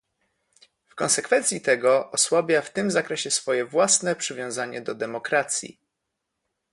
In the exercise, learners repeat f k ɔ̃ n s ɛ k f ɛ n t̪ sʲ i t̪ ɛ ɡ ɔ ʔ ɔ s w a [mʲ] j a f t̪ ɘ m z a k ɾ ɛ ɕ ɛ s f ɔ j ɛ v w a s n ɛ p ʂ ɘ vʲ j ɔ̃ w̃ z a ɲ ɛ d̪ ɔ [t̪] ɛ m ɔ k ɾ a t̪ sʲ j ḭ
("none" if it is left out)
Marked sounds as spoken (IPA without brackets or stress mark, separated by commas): bʲ, d̪